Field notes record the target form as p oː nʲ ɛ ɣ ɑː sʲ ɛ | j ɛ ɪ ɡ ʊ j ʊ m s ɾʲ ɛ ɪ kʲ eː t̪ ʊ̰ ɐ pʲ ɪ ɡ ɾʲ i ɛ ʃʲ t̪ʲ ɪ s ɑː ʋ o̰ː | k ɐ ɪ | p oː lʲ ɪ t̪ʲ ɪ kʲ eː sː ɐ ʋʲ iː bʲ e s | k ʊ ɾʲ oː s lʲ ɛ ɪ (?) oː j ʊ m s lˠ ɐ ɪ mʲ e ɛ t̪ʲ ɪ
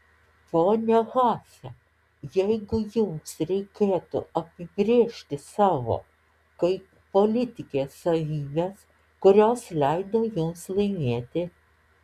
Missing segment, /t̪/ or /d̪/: d̪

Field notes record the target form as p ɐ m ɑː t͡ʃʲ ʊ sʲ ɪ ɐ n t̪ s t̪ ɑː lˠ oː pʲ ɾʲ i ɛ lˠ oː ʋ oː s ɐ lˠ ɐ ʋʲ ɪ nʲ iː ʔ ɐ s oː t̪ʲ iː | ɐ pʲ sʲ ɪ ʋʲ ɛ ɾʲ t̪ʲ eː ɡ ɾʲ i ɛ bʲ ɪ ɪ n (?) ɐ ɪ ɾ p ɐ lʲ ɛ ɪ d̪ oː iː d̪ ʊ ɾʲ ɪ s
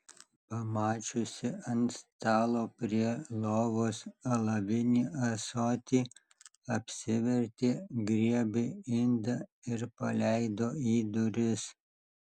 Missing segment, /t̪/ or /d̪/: d̪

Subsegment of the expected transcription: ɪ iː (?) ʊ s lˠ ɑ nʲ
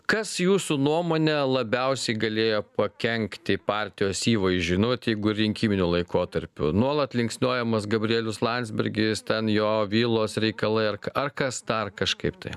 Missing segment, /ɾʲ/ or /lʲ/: lʲ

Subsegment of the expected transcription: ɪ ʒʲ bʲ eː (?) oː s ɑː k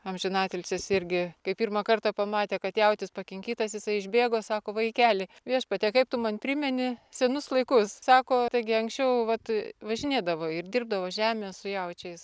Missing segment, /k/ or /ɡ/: ɡ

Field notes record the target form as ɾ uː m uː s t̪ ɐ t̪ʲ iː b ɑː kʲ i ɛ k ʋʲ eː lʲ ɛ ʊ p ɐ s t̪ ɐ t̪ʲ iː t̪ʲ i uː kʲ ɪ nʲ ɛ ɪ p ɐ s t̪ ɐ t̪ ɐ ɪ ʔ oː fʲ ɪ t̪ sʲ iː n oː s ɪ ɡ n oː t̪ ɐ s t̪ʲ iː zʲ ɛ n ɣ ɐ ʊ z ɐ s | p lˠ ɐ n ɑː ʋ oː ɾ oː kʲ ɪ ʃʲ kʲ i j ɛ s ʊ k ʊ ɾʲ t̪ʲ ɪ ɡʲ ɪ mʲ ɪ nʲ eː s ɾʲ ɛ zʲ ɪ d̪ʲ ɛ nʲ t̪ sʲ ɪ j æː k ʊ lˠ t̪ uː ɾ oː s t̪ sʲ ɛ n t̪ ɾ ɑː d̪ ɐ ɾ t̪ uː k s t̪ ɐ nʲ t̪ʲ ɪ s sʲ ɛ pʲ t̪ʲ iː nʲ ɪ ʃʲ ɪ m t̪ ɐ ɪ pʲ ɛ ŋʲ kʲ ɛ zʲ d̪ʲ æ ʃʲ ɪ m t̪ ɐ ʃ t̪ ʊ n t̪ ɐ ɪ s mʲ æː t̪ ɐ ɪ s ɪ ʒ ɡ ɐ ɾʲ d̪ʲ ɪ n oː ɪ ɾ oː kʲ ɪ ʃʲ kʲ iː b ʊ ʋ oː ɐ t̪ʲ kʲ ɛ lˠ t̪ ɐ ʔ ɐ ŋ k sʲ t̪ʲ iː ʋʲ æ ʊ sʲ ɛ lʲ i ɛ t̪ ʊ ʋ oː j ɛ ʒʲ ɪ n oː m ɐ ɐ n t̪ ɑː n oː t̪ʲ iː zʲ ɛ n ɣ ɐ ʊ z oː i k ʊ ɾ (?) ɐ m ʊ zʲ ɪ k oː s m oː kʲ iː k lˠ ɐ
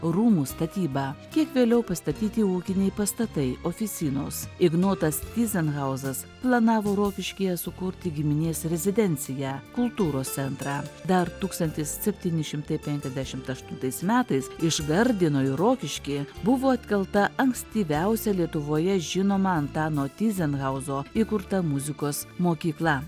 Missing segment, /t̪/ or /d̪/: t̪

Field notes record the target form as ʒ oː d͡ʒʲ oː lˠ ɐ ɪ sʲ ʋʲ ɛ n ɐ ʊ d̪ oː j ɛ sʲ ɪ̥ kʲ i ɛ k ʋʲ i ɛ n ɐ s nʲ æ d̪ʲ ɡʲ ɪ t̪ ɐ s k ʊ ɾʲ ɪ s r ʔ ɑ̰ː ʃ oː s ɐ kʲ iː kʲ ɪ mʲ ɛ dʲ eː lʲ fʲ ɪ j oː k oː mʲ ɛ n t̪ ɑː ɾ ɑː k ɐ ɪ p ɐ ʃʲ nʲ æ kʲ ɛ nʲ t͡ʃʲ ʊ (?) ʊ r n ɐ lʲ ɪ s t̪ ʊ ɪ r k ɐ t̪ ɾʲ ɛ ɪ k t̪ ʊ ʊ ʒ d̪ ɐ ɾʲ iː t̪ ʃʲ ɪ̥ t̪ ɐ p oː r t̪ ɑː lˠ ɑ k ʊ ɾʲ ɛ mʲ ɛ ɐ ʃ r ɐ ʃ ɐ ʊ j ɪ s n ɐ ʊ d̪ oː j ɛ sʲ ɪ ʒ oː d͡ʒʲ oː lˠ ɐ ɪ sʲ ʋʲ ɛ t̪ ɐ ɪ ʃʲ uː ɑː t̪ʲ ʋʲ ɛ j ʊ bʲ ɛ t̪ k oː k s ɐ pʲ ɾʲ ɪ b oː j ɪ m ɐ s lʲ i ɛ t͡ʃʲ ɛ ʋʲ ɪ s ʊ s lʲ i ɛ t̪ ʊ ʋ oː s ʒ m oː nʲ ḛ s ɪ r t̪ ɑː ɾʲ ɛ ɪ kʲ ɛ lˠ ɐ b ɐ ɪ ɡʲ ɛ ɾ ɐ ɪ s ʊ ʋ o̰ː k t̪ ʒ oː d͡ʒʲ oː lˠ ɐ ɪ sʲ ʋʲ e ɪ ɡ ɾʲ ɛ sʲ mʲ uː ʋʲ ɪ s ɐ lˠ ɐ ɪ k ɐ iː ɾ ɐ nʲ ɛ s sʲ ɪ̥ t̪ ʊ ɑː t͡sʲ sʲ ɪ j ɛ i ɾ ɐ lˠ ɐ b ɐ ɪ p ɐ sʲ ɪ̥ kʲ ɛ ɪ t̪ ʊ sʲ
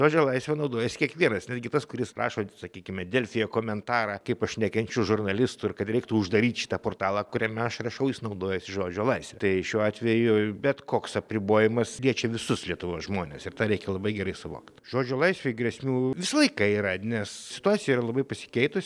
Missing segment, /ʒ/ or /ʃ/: ʒ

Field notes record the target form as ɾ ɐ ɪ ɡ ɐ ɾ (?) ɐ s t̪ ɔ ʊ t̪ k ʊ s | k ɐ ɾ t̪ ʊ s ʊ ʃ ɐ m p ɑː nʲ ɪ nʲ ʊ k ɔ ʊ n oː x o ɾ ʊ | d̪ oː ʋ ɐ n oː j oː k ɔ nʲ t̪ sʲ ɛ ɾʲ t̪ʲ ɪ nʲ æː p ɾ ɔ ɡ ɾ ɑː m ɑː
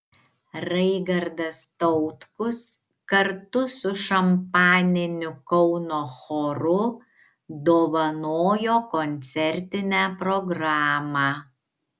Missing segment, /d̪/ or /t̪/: d̪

